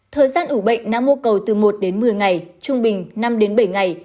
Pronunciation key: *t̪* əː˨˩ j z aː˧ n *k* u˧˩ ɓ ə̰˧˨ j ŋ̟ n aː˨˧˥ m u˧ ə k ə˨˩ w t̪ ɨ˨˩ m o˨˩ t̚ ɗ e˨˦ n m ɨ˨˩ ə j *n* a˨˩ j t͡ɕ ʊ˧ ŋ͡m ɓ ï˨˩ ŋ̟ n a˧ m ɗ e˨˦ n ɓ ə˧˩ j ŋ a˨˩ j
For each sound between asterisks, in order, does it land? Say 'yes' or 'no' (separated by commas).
no, no, no